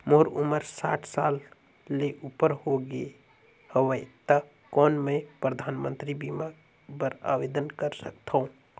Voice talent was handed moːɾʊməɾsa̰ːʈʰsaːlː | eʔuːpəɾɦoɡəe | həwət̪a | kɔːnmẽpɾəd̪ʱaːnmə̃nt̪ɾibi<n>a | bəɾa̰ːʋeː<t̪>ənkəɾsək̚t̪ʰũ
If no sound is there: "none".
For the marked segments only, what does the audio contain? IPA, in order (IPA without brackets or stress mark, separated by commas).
m, d̪